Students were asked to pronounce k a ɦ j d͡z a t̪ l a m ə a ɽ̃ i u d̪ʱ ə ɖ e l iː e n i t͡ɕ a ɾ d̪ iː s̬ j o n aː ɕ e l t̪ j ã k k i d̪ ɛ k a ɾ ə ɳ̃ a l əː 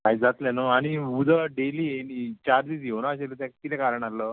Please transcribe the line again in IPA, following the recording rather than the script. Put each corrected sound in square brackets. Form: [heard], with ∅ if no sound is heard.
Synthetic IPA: k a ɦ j d͡z a t̪ l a [n] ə a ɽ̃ i u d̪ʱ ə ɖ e l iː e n i t͡ɕ a ɾ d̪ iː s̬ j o n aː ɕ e l t̪ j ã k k i [t̪] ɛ k a ɾ ə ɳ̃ a l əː